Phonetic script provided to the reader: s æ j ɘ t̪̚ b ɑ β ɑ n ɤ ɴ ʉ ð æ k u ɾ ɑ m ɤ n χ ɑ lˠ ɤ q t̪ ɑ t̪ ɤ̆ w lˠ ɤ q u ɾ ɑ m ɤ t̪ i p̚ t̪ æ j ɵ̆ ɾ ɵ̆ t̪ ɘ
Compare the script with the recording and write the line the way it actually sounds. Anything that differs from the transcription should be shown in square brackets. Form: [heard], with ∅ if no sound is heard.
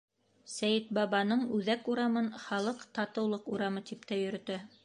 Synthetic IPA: s æ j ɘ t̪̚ b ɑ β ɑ n ɤ ɴ ʉ ð æ k u ɾ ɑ m ɤ n χ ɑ lˠ ɤ q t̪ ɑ t̪ ɤ̆ w lˠ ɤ q u ɾ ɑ m ɤ t̪ i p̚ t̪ æ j ɵ̆ ɾ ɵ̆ t̪ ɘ